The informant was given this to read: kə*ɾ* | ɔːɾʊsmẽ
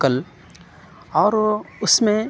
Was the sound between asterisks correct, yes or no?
no